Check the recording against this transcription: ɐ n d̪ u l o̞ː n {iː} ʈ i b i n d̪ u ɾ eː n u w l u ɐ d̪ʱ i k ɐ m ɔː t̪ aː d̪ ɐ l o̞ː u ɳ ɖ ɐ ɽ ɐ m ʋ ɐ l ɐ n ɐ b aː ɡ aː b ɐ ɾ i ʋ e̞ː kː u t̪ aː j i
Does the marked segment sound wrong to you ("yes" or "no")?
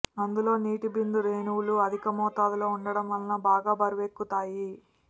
no